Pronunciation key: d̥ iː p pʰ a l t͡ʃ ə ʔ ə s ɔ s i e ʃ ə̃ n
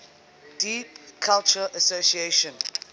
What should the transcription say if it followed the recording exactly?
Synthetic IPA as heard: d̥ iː p kʰ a l t͡ʃ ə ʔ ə s o s i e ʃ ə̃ n